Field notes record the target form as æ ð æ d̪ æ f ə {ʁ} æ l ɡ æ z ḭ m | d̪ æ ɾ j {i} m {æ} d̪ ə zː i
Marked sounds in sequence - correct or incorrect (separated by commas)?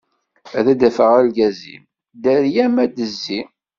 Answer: correct, incorrect, correct